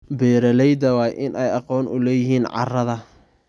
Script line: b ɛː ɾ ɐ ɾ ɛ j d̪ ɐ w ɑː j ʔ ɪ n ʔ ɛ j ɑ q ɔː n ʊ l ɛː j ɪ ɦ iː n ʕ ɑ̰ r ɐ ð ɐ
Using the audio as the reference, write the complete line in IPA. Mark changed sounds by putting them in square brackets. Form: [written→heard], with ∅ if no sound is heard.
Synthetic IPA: b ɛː ɾ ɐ [ɾ→l] ɛ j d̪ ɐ w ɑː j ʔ ɪ n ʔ ɛ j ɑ q ɔː n ʊ l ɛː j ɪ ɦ iː n ʕ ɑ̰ r ɐ ð ɐ